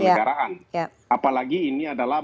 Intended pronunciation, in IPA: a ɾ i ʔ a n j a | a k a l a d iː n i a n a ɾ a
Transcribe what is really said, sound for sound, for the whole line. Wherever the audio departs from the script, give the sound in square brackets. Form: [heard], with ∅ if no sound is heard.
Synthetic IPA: a ɾ [a] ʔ a n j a | a [p] a l a [ɡ] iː n i a [d] a [l] a